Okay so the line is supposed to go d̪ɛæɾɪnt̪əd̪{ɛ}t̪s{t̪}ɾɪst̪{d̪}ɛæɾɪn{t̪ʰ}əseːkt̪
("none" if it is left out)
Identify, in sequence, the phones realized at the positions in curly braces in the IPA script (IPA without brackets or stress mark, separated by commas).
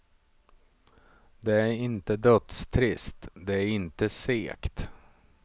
œ, t̪ʰ, d̪, t̪